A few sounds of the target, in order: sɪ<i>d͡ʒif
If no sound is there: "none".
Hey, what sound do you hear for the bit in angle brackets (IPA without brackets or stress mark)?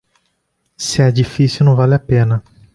ɛ